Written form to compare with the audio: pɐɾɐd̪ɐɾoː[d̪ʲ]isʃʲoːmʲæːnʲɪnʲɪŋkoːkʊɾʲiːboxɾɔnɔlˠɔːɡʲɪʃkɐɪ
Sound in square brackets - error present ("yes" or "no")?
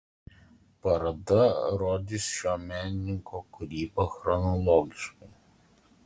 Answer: no